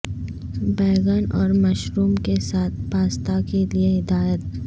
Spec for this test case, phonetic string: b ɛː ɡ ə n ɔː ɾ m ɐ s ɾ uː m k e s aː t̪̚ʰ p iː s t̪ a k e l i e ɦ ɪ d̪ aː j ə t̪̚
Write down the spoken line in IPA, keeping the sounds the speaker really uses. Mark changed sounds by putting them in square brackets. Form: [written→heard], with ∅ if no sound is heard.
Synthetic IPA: b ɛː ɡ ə n ɔː ɾ m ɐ [s→ʃ] ɾ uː m k e s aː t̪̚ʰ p [iː→aː] s t̪ a k e l i e ɦ ɪ d̪ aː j ə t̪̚